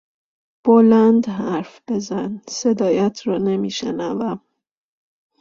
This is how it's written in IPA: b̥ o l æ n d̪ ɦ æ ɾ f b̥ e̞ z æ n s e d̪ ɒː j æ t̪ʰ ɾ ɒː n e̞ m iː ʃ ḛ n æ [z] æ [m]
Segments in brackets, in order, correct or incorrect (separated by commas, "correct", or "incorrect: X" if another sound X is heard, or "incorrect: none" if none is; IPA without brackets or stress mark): incorrect: v, correct